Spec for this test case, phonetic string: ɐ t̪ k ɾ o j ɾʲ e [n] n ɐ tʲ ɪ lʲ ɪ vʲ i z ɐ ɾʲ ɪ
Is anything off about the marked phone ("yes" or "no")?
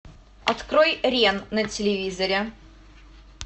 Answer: no